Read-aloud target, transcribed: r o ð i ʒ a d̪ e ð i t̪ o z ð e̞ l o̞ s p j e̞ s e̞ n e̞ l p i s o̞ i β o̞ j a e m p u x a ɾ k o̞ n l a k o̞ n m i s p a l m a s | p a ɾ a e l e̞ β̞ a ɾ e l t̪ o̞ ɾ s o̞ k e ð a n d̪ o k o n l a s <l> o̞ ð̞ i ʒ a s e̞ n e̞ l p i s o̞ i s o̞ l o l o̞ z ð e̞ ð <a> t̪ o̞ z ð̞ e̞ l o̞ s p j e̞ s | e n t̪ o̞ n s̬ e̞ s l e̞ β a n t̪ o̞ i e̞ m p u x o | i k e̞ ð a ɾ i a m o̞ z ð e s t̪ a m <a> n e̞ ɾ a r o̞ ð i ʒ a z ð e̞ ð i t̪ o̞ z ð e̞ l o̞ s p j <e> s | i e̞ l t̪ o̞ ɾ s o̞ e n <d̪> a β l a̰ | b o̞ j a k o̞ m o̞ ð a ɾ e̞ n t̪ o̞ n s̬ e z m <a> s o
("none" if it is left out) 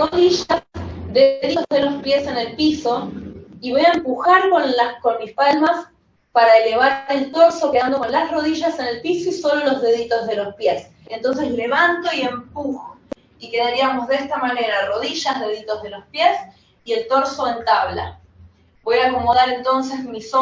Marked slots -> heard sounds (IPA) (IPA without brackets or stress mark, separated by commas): r, i, a, e, t̪, i